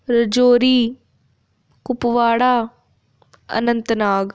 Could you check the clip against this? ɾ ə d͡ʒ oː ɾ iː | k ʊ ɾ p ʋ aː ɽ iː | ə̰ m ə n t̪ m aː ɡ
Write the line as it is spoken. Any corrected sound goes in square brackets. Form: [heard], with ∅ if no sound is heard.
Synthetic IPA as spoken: ɾ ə d͡ʒ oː ɾ iː | k ʊ [∅] p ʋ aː ɽ [aː] | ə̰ [n] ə n t̪ [n] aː ɡ